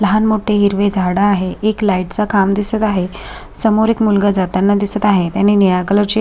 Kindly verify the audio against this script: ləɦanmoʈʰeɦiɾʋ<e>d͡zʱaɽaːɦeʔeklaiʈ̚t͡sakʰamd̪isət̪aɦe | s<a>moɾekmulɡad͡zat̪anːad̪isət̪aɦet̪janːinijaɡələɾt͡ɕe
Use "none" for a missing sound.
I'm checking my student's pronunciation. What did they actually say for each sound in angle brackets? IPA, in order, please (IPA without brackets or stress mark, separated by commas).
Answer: e, ə